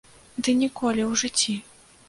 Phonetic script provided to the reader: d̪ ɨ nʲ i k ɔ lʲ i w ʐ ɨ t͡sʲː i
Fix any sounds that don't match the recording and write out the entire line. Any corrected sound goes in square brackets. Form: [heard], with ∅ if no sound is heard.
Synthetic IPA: d̪ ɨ nʲ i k ɔ lʲ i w ʐ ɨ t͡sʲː i